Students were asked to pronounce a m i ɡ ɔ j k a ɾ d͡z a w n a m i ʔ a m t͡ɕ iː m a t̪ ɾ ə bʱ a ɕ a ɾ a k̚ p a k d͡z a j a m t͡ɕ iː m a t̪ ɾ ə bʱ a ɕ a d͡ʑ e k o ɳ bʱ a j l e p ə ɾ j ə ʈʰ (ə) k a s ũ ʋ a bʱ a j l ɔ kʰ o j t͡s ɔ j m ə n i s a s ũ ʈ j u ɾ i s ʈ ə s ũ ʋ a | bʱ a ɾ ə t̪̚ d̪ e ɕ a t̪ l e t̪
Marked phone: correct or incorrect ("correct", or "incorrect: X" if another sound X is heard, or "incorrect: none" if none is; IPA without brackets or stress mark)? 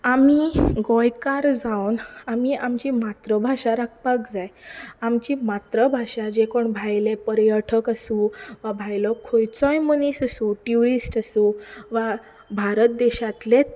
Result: correct